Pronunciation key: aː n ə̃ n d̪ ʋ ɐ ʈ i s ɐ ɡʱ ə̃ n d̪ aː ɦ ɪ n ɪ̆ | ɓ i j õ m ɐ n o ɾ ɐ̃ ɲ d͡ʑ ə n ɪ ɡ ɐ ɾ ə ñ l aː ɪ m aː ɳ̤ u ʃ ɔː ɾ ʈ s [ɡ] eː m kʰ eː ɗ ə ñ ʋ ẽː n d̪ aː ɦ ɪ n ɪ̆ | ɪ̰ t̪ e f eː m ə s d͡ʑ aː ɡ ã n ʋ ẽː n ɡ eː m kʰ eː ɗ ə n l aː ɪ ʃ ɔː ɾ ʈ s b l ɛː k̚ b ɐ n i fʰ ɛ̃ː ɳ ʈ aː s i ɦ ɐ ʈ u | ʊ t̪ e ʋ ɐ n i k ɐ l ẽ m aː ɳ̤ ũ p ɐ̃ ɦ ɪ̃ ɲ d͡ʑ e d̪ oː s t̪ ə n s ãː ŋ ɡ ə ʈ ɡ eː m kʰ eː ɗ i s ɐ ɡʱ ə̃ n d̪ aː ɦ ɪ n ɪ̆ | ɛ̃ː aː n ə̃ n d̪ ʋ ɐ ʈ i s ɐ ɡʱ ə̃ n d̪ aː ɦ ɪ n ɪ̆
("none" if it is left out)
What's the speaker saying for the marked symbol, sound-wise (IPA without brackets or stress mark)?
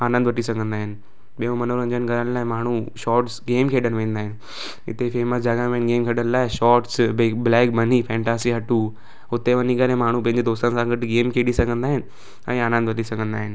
ɡ